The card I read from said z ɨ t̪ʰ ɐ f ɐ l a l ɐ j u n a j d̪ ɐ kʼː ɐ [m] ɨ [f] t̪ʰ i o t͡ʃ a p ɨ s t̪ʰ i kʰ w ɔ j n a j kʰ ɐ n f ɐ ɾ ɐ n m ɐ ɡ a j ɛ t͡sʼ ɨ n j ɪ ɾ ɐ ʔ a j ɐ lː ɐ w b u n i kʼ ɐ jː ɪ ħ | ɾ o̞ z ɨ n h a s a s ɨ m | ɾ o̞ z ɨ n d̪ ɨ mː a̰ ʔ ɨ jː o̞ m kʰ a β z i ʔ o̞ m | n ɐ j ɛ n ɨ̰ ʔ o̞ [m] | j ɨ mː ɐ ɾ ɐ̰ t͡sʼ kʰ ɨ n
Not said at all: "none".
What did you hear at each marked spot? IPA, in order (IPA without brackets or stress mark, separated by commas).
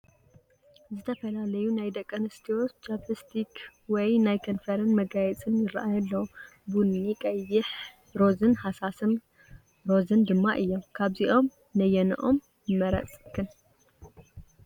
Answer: n, s, m